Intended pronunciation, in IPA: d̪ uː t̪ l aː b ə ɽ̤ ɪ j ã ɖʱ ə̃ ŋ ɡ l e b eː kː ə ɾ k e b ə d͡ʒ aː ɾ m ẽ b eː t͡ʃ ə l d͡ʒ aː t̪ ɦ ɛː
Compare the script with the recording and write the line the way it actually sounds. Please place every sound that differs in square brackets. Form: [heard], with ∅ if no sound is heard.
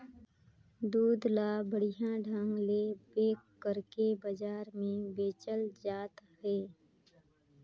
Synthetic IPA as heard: d̪ uː [d̪] l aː b ə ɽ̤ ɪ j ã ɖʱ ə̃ ŋ ɡ l e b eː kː ə ɾ k e b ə d͡ʒ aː ɾ m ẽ b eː t͡ʃ ə l d͡ʒ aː t̪ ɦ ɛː